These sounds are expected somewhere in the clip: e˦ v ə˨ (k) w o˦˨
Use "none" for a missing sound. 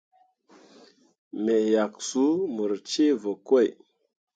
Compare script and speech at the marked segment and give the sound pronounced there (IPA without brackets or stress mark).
k